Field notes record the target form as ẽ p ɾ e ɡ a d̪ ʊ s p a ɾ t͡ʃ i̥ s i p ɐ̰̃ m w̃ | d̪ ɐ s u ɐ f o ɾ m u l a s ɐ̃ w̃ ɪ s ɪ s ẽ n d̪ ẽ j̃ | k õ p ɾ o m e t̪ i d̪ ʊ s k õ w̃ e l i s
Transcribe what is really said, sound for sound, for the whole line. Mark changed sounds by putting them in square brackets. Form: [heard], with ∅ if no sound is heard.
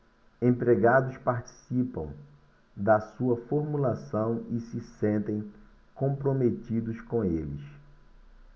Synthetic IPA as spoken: ẽ p ɾ e ɡ a d̪ ʊ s p a ɾ t͡ʃ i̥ s i p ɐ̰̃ [∅] w̃ | d̪ ɐ s u ɐ f o ɾ m u l a s ɐ̃ w̃ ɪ s ɪ s ẽ n [t̪] ẽ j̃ | k õ p ɾ o m e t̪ i d̪ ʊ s k õ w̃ e l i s